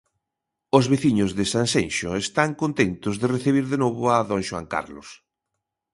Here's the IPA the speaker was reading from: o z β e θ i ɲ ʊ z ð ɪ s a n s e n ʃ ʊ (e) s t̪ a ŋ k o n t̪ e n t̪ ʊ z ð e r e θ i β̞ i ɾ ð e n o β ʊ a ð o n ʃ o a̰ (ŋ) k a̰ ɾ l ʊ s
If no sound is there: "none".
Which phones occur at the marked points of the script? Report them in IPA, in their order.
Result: e, ŋ

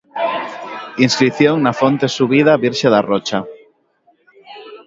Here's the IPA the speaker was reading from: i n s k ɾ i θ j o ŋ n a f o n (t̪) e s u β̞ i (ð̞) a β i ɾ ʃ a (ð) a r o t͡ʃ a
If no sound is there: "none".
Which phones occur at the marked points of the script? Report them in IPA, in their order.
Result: t̪, ð̞, ð

